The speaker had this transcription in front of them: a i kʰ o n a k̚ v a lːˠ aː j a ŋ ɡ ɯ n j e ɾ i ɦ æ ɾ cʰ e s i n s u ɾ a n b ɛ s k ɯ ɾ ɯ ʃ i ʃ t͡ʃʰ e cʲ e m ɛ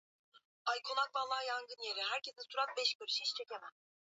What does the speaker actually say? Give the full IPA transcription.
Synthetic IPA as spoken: a j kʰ o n a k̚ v a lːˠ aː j a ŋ ɡ ɯ n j e ɾ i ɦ æ ɾ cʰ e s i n s u ɾ a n b ɛ ʃ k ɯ ɾ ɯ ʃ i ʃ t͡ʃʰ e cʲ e m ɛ